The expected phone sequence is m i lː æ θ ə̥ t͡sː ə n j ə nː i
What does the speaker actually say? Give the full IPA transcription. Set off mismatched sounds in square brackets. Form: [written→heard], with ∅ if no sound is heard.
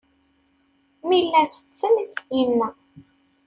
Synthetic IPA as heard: m i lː æ θ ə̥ t͡sː ə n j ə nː [i→æ]

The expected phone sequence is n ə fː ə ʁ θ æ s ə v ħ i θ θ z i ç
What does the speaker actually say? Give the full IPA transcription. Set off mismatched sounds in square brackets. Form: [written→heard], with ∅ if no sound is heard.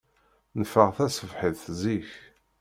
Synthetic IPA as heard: n ə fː ə ʁ θ æ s ə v ħ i [θ→ð] θ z i ç

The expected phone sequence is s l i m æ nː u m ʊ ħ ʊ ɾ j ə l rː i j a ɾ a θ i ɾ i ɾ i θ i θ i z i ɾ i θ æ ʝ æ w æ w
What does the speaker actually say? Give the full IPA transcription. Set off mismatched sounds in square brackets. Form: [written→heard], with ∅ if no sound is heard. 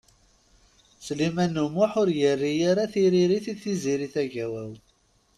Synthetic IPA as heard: s l i m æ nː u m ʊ ħ ʊ ɾ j ə [l→∅] rː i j a ɾ a θ i ɾ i ɾ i θ i θ i z i ɾ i θ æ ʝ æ w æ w

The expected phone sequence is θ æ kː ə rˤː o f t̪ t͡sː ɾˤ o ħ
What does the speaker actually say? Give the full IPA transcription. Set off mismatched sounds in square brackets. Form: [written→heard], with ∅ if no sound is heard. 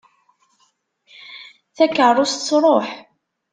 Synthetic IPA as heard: θ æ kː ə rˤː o [f→s] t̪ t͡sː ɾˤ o ħ

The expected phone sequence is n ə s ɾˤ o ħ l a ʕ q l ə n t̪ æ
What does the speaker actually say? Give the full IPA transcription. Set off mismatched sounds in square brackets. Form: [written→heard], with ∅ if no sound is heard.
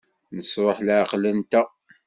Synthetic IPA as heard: n ə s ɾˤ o ħ l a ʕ q l ə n t̪ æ

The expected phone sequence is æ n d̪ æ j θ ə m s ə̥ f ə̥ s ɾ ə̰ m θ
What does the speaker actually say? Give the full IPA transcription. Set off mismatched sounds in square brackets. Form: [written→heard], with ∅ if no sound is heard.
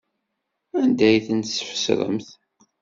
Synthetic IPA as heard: æ n d̪ æ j θ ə [m→n] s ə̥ f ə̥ s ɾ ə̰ m θ

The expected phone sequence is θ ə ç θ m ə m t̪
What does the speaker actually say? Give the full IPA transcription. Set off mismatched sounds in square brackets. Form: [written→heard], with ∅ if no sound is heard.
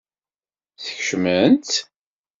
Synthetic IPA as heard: θ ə ç [θ→ʃ] m ə [m→n] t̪

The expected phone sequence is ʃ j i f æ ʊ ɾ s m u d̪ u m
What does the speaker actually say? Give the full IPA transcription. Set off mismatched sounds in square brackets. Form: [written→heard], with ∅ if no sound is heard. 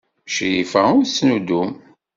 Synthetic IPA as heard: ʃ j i f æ ʊ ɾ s [m→n] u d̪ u m

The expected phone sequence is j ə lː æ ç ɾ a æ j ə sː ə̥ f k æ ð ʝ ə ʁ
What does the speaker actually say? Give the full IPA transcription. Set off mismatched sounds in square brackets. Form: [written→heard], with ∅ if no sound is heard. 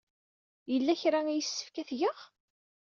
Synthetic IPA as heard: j ə lː æ ç ɾ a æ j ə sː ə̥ f k æ [ð→θ] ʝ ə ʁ

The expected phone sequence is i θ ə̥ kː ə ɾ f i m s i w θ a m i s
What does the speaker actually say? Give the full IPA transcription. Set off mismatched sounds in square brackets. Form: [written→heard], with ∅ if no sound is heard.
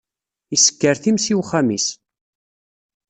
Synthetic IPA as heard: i [θ→s] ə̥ kː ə ɾ [f→θ] i m s i w [θ→χ] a m i s

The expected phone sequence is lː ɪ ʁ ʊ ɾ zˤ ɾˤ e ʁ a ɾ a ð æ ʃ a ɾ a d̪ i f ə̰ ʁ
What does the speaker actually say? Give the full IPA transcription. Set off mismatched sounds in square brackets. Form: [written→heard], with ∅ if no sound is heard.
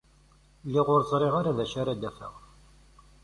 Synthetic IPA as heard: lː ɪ ʁ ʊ ɾ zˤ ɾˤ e ʁ a ɾ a ð æ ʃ a ɾ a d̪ [i→æ] f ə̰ ʁ

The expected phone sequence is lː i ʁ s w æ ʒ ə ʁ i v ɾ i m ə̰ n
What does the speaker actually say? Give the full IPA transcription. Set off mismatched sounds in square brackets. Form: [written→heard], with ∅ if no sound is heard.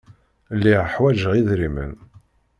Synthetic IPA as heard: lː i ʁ [s→ħ] w æ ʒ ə ʁ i [v→ð] ɾ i m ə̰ n

